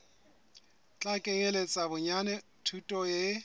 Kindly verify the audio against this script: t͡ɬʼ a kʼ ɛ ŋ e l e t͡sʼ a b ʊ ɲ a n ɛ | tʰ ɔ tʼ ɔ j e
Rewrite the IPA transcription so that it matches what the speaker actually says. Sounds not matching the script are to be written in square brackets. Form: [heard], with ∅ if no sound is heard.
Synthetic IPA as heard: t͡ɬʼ a kʼ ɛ ŋ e l e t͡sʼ a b ʊ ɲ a n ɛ | tʰ [u] tʼ ɔ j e